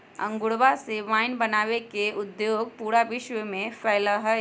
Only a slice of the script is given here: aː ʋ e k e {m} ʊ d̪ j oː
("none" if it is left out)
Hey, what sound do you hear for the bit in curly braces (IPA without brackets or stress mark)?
none